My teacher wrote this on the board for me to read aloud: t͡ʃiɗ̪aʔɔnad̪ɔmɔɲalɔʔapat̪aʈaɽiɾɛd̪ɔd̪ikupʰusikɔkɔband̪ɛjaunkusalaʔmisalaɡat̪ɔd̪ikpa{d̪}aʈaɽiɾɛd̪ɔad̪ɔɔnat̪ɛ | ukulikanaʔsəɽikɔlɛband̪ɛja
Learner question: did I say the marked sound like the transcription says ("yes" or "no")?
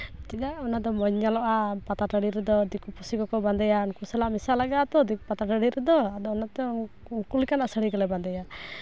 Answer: no